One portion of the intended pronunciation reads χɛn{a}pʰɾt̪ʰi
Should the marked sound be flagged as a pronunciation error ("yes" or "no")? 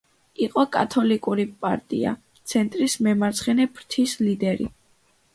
yes